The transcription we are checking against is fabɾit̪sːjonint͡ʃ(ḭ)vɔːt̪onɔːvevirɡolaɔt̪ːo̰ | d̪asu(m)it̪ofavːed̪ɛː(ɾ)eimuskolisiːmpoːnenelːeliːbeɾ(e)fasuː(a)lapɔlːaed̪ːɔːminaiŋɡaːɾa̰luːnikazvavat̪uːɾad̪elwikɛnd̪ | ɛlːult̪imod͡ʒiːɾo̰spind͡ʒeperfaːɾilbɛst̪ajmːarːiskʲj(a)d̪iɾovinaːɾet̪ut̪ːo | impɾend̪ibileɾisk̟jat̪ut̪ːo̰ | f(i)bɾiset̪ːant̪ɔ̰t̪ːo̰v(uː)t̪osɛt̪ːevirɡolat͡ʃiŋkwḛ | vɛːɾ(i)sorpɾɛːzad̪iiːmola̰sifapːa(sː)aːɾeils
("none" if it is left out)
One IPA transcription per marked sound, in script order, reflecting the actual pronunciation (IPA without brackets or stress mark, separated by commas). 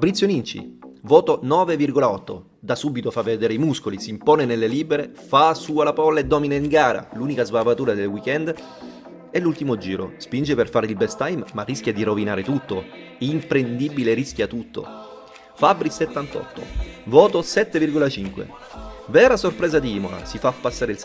ḭ, b, ɾ, e, a, a, a, ɔː, a, sː